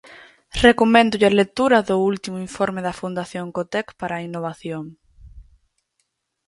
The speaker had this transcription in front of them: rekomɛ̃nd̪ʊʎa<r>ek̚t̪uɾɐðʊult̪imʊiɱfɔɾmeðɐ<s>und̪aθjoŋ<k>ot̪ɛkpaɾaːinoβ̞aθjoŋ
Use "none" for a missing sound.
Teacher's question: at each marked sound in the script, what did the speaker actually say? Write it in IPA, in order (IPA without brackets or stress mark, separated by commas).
l, f, k